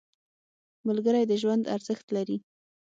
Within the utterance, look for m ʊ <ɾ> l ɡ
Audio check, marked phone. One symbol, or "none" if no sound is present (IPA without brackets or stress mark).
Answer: none